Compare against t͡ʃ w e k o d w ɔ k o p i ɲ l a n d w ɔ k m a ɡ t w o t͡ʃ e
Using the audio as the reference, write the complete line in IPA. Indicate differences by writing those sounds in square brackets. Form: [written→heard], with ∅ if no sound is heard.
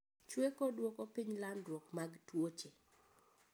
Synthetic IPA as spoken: t͡ʃ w e k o d w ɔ k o p i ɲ l a n d w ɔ k m a ɡ t w o t͡ʃ e

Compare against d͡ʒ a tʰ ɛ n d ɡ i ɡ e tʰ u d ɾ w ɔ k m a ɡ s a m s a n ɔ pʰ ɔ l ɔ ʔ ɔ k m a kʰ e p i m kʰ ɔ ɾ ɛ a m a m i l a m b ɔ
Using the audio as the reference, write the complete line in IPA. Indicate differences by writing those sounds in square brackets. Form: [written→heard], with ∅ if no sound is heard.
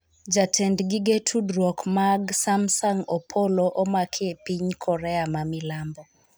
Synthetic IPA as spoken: d͡ʒ a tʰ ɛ n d ɡ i ɡ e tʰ u d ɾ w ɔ k m a ɡ s a m s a [n→ŋ] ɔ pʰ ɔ l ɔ ʔ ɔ [k→∅] m a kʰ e p i [m→ɲ] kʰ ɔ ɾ ɛ a m a m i l a m b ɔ

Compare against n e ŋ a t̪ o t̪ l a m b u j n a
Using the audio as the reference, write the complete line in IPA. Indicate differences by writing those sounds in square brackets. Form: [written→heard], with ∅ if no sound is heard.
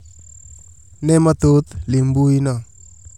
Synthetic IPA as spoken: n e [ŋ→m] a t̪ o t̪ l [a→i] m b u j n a

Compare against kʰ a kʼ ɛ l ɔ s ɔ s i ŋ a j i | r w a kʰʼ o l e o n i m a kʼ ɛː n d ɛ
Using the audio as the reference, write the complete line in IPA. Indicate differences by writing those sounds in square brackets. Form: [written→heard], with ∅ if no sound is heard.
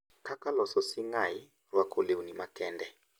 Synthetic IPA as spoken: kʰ a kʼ [ɛ→a] l ɔ s ɔ s i ŋ a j i | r w a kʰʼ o l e [o→u] n i m a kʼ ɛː n d ɛ

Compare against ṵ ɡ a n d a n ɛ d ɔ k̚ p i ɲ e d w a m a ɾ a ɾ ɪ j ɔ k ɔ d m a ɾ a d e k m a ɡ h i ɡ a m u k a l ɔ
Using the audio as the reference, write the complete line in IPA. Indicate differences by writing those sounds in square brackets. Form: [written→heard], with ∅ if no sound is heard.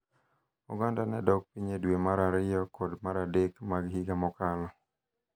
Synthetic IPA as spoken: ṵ ɡ a n d a n ɛ d ɔ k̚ p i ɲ e d w [a→e] m a ɾ a ɾ ɪ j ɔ k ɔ d m a ɾ a d e k m a ɡ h i ɡ a m [u→ɔ] k a l ɔ

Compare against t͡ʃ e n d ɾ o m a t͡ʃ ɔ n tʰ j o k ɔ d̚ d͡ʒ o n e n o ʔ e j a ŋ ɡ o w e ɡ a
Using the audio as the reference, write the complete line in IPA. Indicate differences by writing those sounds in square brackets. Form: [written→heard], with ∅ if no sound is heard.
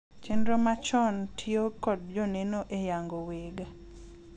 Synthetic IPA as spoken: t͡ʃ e n d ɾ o m a t͡ʃ ɔ n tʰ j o k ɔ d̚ d͡ʒ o n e n o ʔ e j a ŋ ɡ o w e ɡ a

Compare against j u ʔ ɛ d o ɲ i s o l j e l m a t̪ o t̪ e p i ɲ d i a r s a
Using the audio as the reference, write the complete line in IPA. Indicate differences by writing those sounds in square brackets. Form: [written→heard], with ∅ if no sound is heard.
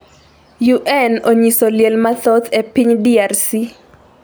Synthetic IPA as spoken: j u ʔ ɛ [d→n] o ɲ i s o l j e l m a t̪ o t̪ e p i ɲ d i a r s [a→i]

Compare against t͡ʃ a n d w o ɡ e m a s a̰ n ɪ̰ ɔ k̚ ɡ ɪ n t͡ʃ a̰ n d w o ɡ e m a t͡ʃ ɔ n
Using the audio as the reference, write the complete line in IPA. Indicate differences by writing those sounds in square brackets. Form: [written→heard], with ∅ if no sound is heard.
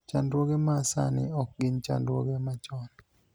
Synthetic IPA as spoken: t͡ʃ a n d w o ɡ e m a s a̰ n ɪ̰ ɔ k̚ ɡ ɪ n t͡ʃ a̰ n d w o ɡ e m a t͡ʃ ɔ n

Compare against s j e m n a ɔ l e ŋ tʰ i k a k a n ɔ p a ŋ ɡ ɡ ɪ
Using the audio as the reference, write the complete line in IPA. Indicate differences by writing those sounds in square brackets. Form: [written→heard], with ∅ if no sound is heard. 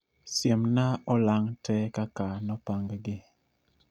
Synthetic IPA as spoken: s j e m n a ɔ l [e→a] ŋ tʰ [i→ɛ] k a k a n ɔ p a ŋ ɡ ɡ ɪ

